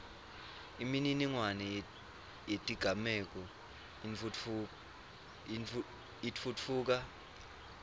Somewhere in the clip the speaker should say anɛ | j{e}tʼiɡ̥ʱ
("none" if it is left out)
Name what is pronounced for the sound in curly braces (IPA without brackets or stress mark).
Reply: e